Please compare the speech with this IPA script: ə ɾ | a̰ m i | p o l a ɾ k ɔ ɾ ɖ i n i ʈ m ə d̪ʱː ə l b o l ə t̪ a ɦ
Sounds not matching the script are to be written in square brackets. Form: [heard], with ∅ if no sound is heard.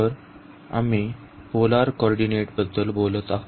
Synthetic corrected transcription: ə ɾ | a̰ m i | p o l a ɾ k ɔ ɾ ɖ i n [e] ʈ [b] ə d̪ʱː ə l b o l ə t̪ a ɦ